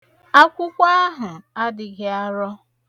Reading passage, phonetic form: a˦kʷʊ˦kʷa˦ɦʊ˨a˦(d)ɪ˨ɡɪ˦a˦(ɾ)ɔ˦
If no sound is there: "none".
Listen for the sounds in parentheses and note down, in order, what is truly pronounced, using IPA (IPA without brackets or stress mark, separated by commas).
d, ɾ